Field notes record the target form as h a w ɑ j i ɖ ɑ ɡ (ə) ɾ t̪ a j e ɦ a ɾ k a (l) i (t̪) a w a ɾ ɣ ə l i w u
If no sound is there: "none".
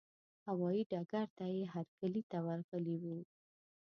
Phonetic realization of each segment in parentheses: a, l, t̪

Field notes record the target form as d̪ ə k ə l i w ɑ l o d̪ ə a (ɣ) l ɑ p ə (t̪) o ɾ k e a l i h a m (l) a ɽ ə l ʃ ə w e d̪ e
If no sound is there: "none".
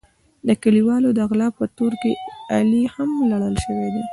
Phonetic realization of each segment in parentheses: ɣ, t̪, l

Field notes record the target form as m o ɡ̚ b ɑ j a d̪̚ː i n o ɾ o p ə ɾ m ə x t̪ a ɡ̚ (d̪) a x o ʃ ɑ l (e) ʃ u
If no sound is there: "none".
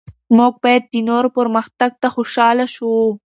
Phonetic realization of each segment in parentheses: t̪, a

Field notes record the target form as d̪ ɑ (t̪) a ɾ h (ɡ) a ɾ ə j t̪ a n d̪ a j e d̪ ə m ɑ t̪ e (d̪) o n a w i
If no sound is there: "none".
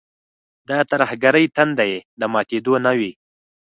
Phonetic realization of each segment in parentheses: t̪, ɡ, d̪

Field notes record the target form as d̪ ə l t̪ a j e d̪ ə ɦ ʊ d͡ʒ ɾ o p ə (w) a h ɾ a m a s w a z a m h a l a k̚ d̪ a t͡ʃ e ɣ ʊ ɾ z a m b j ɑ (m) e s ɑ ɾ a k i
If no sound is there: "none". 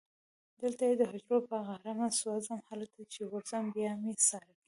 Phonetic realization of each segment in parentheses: ɣ, m

